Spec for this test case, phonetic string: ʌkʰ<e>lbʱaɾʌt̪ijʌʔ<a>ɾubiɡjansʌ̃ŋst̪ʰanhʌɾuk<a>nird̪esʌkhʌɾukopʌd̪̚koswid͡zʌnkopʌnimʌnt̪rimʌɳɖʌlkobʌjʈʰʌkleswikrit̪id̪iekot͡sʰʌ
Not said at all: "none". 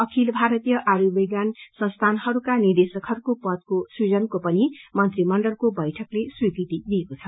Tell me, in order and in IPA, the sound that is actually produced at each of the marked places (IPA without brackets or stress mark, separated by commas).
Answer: i, a, a